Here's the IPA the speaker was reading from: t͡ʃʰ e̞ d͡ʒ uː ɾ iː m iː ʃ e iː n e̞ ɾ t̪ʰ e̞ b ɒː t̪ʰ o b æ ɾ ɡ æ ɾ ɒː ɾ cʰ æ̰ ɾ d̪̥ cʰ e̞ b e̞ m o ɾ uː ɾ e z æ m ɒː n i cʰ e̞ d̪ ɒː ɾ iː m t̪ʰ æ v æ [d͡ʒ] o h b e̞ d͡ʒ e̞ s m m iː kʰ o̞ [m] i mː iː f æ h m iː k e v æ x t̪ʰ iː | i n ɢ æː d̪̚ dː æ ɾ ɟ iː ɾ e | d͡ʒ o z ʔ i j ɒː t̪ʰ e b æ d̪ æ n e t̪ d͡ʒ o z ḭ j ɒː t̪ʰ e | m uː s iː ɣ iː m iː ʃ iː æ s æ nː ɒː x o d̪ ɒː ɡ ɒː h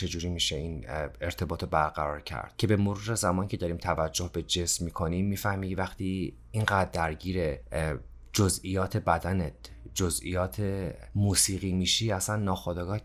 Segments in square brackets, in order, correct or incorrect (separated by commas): incorrect, incorrect